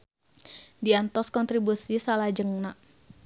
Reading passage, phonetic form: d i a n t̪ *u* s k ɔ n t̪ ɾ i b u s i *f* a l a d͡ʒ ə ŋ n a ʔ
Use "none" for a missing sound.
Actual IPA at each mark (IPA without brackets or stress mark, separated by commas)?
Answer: ɔ, s